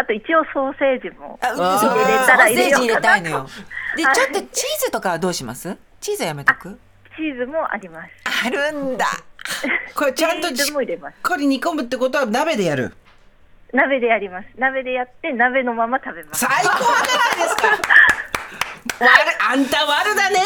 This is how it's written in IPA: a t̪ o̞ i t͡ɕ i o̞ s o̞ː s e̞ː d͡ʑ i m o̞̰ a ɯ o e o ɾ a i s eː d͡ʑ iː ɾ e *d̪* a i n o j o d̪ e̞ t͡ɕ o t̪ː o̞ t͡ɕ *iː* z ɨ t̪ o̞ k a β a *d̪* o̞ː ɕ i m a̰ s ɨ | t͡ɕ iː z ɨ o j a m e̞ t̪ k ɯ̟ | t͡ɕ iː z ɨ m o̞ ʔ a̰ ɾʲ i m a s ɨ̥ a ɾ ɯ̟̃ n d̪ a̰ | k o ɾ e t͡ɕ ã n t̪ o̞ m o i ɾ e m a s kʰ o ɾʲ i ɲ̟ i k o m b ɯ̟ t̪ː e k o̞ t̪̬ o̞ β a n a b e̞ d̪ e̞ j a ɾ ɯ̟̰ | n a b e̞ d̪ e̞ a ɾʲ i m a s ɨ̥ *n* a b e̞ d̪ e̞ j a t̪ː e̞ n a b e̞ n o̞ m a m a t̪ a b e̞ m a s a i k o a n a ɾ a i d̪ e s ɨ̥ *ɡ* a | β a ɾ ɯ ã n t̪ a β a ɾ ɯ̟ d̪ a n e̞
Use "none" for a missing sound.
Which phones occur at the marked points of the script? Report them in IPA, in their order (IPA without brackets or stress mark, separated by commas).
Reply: t̪, iː, d̪, n, k